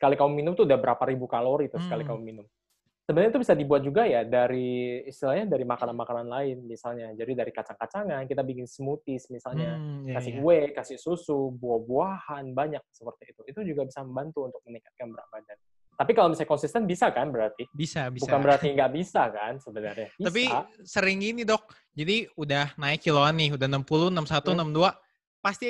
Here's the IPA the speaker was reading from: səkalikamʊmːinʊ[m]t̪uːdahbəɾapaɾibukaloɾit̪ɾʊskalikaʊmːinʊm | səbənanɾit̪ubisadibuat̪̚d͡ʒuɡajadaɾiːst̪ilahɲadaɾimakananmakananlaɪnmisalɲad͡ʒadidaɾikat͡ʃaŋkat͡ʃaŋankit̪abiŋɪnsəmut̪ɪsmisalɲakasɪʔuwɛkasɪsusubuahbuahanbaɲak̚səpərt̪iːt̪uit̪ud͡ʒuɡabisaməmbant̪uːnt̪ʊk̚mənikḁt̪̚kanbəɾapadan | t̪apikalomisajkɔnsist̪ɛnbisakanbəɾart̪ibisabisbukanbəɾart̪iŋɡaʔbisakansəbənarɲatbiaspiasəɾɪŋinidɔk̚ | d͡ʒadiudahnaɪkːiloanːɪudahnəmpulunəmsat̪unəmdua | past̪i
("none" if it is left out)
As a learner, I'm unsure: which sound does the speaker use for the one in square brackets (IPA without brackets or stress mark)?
m